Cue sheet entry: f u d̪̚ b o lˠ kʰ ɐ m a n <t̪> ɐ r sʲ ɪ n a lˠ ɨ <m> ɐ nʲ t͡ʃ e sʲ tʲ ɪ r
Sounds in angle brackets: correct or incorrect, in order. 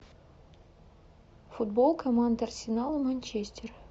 incorrect: d̪, correct

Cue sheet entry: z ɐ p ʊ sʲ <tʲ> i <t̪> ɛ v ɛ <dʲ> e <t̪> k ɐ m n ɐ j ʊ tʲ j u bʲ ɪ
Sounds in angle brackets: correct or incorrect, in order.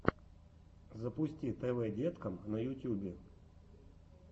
correct, correct, correct, correct

